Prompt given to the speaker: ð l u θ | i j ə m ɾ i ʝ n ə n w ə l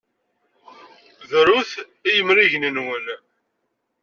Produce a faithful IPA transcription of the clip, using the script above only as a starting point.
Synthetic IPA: ð ɾ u θ | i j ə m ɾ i ʝ n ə n w ə l